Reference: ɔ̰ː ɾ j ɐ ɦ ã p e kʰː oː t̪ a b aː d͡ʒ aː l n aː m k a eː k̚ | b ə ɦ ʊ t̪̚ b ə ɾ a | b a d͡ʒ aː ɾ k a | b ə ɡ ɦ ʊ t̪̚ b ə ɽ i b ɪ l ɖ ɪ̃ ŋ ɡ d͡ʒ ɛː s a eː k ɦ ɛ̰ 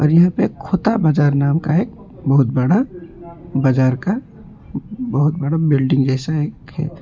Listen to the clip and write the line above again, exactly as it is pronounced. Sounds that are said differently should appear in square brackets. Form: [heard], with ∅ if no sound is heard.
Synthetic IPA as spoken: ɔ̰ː ɾ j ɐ ɦ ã p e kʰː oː t̪ a b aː d͡ʒ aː [ɾ] n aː m k a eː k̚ | b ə ɦ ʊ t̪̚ b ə [ɽ] a | b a d͡ʒ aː ɾ k a | b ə [∅] ɦ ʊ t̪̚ b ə ɽ [a] b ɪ l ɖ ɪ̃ ŋ ɡ d͡ʒ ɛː s a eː k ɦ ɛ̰